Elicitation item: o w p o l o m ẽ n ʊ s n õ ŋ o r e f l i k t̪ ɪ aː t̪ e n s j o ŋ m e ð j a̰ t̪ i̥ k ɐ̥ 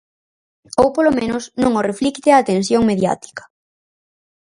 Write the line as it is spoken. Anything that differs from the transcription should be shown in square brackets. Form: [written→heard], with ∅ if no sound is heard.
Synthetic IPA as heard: o w p o l o m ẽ n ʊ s n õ ŋ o r e f l i k t̪ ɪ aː t̪ e n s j o ŋ m e ð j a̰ t̪ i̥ k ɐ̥